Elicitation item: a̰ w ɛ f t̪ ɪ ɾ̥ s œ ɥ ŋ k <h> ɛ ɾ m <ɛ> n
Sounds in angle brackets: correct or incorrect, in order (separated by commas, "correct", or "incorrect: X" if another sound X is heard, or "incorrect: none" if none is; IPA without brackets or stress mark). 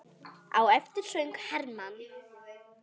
correct, incorrect: a